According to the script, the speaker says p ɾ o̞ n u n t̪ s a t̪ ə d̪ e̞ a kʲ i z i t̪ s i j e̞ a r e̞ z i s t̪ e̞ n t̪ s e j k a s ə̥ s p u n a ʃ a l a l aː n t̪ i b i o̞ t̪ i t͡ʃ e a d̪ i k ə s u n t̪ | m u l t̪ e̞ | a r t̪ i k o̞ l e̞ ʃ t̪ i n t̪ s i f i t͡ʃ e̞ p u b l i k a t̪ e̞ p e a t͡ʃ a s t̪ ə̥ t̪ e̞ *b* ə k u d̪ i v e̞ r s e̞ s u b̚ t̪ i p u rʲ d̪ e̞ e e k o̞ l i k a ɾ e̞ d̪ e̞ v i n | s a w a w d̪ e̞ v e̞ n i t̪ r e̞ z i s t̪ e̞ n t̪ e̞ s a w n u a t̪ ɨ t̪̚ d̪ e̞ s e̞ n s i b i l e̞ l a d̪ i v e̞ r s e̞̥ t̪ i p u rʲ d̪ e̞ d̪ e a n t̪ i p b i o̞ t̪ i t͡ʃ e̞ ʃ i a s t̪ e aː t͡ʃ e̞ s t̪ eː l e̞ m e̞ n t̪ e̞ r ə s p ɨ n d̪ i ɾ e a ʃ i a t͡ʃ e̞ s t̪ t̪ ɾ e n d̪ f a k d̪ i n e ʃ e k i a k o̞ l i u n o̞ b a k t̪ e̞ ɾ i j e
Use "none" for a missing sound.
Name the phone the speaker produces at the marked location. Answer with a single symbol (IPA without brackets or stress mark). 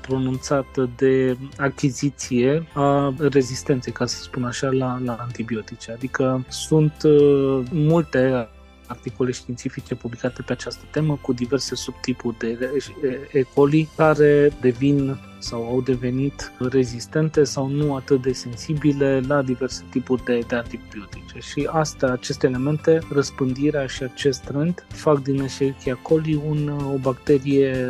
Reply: m